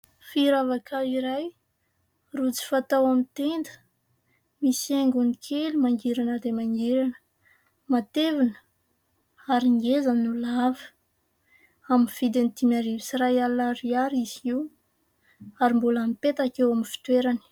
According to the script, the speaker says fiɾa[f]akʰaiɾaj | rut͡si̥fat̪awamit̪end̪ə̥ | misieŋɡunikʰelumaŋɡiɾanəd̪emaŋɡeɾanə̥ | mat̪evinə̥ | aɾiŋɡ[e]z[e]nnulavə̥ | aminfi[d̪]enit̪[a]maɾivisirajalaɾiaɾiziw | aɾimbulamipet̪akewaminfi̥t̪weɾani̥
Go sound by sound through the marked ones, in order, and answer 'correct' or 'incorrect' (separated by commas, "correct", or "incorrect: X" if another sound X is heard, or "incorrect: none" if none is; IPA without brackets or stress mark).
incorrect: v, correct, incorrect: a, correct, incorrect: i